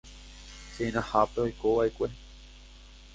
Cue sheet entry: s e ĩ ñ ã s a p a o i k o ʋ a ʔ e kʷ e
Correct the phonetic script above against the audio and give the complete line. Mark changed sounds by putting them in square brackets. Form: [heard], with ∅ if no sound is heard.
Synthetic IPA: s e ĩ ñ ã [h] a p [e] o [j] k o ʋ a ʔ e kʷ e